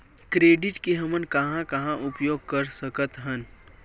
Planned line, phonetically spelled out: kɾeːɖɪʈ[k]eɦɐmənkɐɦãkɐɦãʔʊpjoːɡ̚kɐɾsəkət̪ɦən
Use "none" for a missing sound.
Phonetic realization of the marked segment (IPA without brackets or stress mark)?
k